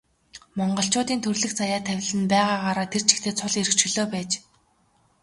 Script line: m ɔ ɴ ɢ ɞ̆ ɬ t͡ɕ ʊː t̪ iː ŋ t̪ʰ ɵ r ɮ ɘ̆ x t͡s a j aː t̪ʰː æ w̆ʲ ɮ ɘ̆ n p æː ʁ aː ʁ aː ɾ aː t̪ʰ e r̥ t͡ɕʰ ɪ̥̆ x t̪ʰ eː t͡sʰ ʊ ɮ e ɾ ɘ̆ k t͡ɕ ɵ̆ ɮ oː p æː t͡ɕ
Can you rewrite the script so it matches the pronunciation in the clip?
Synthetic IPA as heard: m ɔ ɴ ɢ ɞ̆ ɬ t͡ɕ ʊː t̪ iː n t̪ʰ ɵ r ɮ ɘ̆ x t͡s a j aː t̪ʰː æ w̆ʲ ɮ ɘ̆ n p æː ʁ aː ʁ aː ɾ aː t̪ʰ e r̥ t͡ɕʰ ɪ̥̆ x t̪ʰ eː t͡sʰ ʊ ɮ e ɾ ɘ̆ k t͡ɕ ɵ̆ ɮ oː p æː t͡ɕ